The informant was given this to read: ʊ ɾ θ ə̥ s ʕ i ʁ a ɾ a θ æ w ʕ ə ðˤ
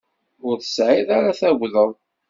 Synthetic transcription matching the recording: ʊ ɾ θ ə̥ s ʕ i ð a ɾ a θ æ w ð ə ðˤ